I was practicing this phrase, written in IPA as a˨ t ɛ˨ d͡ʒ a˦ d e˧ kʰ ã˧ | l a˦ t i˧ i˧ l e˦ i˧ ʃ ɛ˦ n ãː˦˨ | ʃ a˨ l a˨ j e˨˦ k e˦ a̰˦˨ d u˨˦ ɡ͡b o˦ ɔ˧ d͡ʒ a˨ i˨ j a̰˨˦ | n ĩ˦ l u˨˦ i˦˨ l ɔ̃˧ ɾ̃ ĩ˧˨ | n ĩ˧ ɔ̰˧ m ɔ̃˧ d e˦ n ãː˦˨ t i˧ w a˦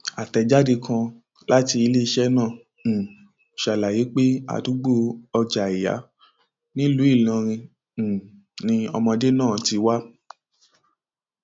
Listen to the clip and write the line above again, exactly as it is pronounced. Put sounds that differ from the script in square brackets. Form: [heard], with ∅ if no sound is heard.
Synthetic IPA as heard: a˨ t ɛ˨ d͡ʒ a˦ d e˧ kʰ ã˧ | l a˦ t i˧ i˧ l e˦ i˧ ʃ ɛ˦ n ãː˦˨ | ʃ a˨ l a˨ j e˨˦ [k͡p] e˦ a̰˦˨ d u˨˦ ɡ͡b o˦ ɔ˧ d͡ʒ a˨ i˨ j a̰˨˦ | n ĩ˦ l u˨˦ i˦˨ l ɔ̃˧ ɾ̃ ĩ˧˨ | n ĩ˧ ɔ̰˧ m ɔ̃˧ d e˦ n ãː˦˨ t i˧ w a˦

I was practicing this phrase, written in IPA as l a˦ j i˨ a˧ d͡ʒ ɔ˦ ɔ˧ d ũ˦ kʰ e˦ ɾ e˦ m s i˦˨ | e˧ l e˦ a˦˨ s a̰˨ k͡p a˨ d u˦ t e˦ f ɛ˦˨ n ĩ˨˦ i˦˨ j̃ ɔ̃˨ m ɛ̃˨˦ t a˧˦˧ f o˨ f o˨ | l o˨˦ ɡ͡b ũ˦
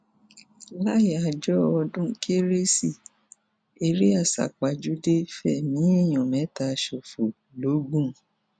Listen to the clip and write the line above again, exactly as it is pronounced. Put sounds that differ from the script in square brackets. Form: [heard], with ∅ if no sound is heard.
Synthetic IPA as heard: l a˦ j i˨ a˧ d͡ʒ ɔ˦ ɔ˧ d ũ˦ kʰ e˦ ɾ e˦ [∅] s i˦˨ | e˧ [ɾ] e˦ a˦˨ s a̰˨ k͡p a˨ [d͡ʒ] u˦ [d] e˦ f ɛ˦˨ n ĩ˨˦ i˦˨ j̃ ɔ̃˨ m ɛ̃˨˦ t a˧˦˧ [ʃ] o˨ f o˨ | l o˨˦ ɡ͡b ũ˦

